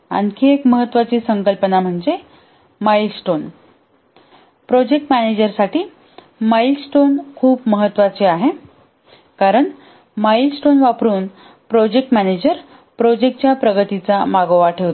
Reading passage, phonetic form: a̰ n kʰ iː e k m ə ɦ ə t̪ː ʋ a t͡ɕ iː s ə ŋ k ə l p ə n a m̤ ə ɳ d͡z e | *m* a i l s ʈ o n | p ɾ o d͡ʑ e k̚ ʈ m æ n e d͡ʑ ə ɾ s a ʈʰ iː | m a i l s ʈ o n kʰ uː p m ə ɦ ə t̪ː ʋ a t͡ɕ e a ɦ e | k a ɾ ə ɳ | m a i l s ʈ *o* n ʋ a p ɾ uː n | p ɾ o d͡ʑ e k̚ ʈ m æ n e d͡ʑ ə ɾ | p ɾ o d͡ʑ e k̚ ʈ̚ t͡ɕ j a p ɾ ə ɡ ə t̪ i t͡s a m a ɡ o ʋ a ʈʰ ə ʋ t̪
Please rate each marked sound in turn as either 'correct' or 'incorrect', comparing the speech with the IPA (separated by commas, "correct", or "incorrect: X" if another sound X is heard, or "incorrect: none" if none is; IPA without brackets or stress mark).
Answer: correct, correct